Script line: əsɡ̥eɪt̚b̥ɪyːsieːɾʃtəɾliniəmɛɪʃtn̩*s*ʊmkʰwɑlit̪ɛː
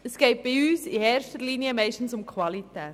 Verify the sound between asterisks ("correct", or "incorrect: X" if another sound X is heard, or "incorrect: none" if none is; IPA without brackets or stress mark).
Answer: correct